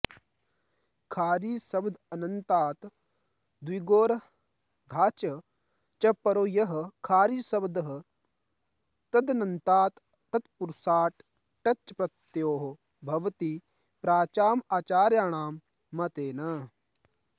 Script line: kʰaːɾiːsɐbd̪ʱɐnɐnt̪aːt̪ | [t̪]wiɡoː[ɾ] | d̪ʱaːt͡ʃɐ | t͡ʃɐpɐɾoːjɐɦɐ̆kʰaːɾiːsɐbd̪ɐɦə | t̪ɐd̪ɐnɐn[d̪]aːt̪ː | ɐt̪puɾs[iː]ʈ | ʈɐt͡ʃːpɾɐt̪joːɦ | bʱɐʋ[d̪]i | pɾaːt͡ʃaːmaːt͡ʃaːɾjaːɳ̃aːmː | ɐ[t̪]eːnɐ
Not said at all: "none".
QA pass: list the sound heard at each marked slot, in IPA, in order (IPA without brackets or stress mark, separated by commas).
d̪, ɾ, t̪, aː, t̪, t̪